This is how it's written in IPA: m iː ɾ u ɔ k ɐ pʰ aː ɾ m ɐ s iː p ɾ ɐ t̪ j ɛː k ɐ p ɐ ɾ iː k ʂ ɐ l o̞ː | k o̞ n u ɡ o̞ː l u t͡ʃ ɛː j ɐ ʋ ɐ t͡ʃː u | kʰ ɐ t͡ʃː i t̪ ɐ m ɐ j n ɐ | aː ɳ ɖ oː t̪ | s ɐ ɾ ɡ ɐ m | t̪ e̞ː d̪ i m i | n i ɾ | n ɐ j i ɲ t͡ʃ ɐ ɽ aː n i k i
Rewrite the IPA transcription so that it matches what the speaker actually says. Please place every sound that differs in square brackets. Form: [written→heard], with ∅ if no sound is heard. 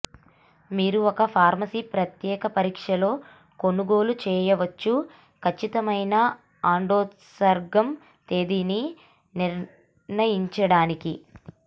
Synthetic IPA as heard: m iː ɾ u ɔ k ɐ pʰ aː ɾ m ɐ s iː p ɾ ɐ t̪ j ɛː k ɐ p ɐ ɾ iː k ʂ ɐ l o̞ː | k o̞ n u ɡ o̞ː l u t͡ʃ ɛː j ɐ ʋ ɐ t͡ʃː u | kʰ ɐ t͡ʃː i t̪ ɐ m ɐ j n ɐ | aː ɳ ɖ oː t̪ | s ɐ ɾ ɡ ɐ m | t̪ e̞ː d̪ i [m→n] i | n i ɾ | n ɐ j i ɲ t͡ʃ ɐ ɽ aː n i k i